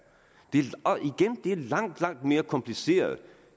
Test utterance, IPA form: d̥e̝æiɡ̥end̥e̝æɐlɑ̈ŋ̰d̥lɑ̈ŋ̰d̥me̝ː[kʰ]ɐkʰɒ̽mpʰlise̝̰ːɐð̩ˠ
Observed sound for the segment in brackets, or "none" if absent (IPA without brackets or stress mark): none